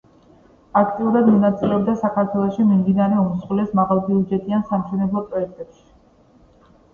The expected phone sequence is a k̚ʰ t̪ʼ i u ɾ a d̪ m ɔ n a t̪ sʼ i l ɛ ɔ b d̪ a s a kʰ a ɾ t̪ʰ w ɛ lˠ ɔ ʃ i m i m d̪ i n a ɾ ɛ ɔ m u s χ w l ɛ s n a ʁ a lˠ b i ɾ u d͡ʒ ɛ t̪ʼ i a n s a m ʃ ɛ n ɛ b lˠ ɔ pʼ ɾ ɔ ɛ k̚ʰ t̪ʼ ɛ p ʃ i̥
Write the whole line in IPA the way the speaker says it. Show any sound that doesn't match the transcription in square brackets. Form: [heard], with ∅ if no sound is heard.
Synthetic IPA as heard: a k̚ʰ t̪ʼ i u ɾ a d̪ m ɔ n a t̪ sʼ i l ɛ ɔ b d̪ a s a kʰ a ɾ t̪ʰ w ɛ lˠ ɔ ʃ i m i m d̪ i n a ɾ ɛ ɔ m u s χ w l ɛ s [m] a ʁ a lˠ b i [∅] u d͡ʒ ɛ t̪ʼ i a n s a m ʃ ɛ n ɛ b lˠ ɔ pʼ ɾ ɔ ɛ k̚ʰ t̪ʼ ɛ p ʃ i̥